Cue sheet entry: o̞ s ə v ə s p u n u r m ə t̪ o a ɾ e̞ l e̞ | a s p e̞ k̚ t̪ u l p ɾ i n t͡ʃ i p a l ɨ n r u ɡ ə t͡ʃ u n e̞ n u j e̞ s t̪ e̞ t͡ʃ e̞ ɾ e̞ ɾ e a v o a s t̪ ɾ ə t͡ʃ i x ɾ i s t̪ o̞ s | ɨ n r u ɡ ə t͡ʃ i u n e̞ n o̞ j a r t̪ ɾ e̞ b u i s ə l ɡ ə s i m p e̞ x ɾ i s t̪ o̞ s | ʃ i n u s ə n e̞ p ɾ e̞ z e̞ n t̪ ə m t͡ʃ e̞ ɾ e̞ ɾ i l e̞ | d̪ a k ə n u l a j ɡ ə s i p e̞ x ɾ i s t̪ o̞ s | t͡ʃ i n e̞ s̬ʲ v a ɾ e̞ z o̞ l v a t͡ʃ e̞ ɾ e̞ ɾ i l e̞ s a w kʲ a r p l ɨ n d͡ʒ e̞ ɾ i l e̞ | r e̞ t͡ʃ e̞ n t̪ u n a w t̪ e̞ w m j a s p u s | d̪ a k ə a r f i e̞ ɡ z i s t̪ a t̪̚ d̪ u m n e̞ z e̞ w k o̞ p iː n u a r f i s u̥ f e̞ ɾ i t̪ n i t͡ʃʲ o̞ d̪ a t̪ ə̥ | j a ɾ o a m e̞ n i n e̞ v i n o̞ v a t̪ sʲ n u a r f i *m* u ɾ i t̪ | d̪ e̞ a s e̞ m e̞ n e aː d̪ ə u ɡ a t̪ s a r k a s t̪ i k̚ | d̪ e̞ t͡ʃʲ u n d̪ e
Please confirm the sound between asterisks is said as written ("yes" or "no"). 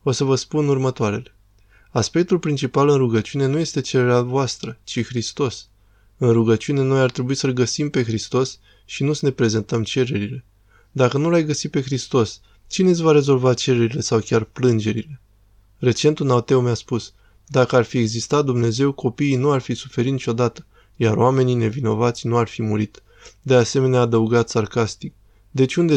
yes